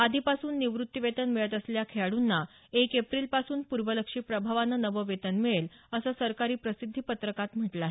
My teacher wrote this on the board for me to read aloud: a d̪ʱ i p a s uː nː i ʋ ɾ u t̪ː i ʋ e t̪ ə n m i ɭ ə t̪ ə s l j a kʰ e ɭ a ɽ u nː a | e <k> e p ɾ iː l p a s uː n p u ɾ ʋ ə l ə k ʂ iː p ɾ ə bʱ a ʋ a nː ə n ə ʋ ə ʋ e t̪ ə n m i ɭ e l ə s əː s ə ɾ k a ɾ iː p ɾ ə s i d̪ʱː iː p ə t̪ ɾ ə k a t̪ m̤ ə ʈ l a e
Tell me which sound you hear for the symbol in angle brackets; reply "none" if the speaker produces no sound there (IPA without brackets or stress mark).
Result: k